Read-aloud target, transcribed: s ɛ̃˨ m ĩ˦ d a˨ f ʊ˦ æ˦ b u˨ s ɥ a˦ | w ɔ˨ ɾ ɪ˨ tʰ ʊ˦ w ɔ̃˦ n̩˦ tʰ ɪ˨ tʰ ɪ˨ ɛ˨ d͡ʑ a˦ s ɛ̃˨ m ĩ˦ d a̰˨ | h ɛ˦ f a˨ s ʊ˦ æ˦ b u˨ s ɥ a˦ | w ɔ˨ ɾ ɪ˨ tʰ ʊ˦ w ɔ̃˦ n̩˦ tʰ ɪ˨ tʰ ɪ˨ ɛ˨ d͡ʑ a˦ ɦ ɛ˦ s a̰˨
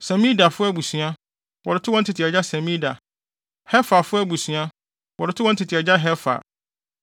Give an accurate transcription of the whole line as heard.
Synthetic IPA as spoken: s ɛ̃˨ m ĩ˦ d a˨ f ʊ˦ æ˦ b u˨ s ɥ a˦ | w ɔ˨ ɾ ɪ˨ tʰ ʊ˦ w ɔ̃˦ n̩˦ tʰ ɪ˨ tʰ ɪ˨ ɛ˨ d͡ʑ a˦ s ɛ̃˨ m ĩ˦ d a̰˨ | h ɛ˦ f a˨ f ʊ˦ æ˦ b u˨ s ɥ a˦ | w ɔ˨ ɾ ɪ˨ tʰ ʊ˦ w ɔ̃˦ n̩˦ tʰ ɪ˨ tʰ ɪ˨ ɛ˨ d͡ʑ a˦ ɦ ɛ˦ f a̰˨

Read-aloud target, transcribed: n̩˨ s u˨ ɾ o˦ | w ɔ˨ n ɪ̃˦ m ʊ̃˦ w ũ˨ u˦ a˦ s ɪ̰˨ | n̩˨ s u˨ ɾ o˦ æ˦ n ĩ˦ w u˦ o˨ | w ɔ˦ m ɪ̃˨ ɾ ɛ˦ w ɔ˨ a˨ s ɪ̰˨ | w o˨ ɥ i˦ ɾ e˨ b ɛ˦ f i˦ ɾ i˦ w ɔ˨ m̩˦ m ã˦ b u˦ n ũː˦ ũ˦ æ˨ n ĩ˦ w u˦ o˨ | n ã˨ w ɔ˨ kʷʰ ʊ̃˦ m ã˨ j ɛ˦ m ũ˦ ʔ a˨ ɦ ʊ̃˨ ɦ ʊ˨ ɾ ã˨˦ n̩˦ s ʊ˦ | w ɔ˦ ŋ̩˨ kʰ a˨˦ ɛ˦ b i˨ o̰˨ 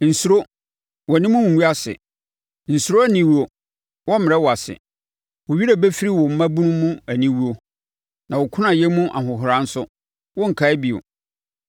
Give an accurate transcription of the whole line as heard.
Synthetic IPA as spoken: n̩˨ s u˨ ɾ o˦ | w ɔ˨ n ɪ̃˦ m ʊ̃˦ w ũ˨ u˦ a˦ s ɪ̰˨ | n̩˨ s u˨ ɾ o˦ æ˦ n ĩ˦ w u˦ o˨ | w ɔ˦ m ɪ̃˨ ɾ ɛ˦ w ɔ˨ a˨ s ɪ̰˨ | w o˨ ɥ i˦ ɾ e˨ b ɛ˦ f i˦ ɾ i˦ w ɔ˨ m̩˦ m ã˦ b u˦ n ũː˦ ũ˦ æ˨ n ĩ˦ w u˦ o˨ | n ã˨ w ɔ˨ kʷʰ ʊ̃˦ n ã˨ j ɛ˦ m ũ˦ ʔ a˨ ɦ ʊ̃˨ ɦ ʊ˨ ɾ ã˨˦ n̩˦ s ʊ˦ | w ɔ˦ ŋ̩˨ kʰ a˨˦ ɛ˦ b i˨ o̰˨

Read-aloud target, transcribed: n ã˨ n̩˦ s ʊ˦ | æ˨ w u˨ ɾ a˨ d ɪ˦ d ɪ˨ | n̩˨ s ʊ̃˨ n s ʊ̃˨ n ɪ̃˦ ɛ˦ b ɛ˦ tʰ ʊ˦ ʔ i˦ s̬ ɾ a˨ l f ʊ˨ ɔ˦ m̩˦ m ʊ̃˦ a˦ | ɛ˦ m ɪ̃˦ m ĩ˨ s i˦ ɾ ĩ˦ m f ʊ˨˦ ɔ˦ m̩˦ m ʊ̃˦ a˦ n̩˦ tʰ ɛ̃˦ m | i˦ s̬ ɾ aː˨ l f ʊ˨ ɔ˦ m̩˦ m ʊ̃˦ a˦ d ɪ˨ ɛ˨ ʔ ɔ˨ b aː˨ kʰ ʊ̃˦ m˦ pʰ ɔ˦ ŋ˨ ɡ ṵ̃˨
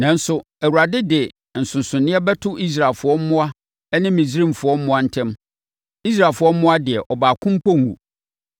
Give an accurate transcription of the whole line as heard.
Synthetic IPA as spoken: n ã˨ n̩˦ s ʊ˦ | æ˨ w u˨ ɾ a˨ d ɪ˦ d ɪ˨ | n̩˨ s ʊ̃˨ n s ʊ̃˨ n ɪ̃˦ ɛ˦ b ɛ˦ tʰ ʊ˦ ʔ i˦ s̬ ɾ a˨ l f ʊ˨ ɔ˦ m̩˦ m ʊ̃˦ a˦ | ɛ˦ n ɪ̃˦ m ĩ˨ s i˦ ɾ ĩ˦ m f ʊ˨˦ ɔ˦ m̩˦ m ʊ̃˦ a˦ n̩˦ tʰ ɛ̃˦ m | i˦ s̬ ɾ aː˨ l f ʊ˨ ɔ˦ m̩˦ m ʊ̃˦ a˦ d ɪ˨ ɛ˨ ʔ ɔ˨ b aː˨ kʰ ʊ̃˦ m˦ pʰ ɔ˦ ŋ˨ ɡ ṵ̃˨

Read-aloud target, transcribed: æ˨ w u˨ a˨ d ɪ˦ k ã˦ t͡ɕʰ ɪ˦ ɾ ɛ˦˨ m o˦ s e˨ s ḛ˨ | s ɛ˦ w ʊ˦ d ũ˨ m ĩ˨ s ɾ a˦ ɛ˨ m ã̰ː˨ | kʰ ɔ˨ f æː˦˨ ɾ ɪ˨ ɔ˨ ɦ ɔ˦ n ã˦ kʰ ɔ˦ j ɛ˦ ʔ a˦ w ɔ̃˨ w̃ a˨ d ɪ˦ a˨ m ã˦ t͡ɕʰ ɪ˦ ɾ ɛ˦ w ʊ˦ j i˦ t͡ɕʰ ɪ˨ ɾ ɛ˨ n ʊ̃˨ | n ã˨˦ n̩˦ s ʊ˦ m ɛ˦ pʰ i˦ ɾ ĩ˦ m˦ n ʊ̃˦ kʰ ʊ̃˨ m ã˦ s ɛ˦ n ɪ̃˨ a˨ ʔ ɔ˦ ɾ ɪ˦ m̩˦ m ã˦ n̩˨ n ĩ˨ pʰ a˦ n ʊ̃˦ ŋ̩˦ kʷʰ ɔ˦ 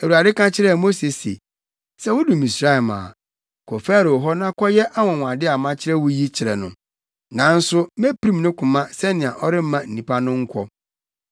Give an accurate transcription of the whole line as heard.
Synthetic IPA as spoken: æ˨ w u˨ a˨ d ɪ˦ k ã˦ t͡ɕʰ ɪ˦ ɾ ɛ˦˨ m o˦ s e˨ s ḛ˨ | s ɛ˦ w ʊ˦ d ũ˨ m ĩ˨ s ɾ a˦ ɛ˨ m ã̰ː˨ | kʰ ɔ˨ f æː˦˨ ɾ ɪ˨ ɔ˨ ɦ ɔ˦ n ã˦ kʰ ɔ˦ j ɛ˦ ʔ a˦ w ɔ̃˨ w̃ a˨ d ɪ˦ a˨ m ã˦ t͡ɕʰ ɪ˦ ɾ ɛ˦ w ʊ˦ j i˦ t͡ɕʰ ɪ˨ ɾ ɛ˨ n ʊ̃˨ | n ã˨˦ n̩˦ s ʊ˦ m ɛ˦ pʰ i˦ ɾ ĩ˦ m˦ n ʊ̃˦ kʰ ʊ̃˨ m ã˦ s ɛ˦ n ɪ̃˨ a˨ ʔ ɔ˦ ɾ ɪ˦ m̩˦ m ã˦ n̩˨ n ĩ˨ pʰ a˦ n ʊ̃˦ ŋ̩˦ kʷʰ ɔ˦

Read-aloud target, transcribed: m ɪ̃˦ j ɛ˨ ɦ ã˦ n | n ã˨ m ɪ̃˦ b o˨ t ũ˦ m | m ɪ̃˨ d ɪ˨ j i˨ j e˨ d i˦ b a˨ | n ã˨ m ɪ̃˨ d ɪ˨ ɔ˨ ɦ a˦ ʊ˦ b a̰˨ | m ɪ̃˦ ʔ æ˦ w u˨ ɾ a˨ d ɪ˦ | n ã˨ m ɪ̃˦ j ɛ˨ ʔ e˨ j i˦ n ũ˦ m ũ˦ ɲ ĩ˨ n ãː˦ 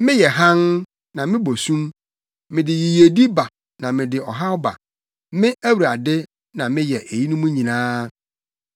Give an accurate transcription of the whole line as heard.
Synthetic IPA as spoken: m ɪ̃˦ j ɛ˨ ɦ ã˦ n | n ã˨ m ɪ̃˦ b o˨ s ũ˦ m | m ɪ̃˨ d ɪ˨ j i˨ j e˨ d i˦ b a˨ | n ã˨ m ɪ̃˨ d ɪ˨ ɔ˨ ɦ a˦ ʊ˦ b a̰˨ | m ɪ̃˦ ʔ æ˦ w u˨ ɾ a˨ d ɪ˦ | n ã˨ m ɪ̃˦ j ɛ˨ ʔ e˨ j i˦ n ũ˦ m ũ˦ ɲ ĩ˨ n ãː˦

